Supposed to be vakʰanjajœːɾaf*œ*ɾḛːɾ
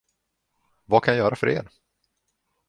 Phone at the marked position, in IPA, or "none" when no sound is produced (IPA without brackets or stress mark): œ